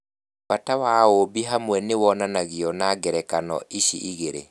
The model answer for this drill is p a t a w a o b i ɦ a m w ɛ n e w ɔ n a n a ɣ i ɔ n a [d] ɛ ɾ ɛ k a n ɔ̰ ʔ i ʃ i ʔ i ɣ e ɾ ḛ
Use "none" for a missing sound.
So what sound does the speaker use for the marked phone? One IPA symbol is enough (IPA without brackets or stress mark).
ɡ